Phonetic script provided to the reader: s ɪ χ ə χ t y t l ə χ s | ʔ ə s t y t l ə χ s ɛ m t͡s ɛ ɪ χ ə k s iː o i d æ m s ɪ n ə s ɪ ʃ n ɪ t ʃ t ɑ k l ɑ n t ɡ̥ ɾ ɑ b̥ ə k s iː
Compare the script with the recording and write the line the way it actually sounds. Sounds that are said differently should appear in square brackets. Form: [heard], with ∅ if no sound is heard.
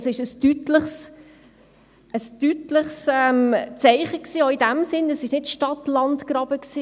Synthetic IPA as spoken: s ɪ [ʃ] ə [s] t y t l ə χ s | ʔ ə s t y t l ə χ s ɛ m t͡s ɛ ɪ χ ə k s iː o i d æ m s ɪ n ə s ɪ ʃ n ɪ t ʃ t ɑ [t] l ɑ n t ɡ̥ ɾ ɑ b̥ ə k s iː